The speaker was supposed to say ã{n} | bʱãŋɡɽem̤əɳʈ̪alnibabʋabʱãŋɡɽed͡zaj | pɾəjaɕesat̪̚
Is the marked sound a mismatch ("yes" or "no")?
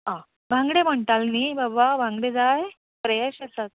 yes